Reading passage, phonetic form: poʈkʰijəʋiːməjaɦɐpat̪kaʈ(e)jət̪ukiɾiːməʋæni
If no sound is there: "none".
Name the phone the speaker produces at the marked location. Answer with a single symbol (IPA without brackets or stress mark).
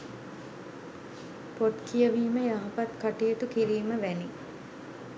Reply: i